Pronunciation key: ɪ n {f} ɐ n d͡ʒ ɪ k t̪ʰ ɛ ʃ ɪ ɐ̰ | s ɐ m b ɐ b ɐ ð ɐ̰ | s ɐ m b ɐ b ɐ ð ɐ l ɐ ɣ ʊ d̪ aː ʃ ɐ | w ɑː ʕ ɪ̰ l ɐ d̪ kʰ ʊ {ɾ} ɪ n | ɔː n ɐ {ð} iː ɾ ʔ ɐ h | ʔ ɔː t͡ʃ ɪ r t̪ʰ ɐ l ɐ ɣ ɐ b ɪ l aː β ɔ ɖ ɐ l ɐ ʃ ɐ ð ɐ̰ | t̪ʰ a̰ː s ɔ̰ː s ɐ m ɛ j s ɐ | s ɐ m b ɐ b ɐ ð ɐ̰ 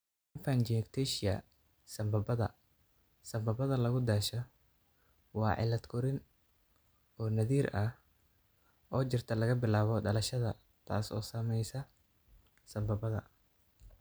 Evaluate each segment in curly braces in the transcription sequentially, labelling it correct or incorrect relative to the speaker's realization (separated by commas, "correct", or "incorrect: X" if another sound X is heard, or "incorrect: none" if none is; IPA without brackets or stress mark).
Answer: correct, correct, correct